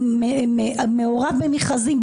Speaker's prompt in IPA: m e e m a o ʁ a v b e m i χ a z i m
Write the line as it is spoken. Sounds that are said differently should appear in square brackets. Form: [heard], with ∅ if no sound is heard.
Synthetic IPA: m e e m [e] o ʁ a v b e m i χ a z i m